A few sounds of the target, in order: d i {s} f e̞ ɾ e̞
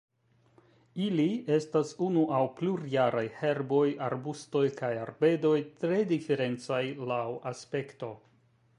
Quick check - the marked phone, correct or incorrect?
incorrect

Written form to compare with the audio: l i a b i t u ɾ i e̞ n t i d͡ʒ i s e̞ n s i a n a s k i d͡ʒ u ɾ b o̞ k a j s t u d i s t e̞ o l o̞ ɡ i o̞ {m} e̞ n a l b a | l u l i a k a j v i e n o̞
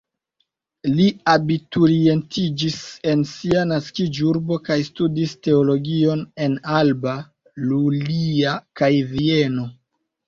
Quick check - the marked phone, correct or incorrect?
incorrect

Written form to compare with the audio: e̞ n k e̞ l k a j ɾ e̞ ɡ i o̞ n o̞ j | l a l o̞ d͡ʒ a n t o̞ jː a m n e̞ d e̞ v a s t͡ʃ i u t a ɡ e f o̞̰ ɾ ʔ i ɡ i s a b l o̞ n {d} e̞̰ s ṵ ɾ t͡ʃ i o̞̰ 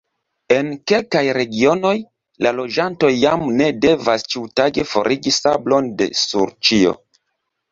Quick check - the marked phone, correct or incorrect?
correct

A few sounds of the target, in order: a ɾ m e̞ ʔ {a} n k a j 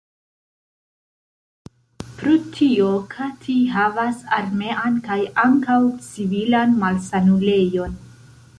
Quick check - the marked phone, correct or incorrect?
correct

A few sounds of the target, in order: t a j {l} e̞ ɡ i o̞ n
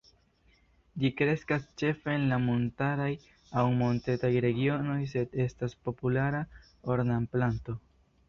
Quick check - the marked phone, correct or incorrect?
incorrect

